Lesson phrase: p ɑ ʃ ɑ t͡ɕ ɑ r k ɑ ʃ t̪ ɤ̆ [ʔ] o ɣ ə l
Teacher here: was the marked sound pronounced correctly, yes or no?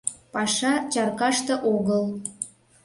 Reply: yes